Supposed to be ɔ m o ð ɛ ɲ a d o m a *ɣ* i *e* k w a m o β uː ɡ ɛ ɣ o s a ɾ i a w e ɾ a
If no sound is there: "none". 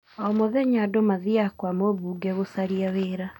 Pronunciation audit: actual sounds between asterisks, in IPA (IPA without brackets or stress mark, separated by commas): ð, a